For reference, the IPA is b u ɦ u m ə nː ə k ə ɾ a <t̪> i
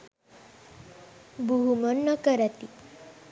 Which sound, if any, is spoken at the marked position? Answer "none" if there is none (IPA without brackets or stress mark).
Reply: t̪